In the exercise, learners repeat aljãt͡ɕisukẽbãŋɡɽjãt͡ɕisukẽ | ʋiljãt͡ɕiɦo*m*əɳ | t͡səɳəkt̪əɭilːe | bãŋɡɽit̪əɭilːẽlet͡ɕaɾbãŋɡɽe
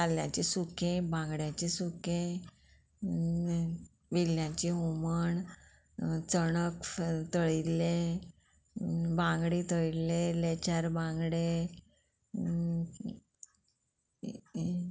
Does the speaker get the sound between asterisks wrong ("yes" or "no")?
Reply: no